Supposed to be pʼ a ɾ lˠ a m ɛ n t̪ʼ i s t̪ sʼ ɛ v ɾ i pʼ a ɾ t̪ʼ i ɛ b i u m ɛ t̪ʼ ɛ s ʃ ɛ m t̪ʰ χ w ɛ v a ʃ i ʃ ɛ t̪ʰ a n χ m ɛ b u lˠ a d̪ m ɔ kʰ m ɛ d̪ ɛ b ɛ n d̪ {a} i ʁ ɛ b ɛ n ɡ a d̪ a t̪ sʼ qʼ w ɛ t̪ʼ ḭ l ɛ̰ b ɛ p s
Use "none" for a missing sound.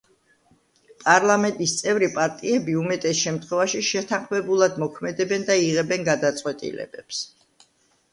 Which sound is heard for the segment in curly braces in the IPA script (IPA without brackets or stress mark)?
a